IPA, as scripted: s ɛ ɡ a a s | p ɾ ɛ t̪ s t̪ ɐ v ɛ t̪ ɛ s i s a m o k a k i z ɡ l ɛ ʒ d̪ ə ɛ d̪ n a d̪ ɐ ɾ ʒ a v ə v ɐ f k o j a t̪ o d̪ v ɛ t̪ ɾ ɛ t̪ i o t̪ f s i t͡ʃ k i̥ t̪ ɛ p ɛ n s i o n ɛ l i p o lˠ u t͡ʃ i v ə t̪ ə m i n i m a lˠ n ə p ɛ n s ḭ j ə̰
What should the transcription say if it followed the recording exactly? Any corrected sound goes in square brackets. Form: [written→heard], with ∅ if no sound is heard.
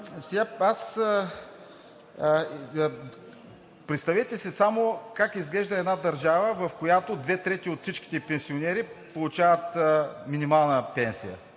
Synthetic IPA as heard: s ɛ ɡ a a s | p ɾ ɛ t̪ s t̪ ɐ v ɛ t̪ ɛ s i s a m o k a k i z ɡ l ɛ ʒ d̪ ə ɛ d̪ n a d̪ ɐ ɾ ʒ a v ə v ɐ f k o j a t̪ o d̪ v ɛ t̪ ɾ ɛ t̪ i o t̪ f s i t͡ʃ k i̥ t̪ ɛ p ɛ n s i o n ɛ [l→ɾ] i p o lˠ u t͡ʃ [i→a] v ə t̪ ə m i n i m a lˠ n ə p ɛ n s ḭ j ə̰